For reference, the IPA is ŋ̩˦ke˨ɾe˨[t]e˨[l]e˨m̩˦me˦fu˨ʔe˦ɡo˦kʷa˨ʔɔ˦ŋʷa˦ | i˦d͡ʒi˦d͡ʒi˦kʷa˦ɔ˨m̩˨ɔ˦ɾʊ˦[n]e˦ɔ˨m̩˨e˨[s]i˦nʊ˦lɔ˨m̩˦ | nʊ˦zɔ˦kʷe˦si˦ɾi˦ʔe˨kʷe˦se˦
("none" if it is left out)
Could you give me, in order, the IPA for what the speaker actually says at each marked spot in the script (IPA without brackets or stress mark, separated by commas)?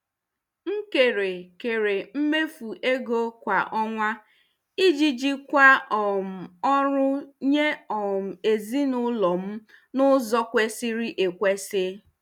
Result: k, ɾ, ɲ, z